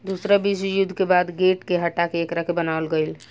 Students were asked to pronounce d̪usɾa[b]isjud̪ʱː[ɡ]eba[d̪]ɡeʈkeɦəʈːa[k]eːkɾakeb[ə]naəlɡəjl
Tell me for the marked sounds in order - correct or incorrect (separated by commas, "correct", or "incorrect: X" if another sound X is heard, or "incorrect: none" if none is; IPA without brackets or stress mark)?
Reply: correct, incorrect: k, correct, correct, correct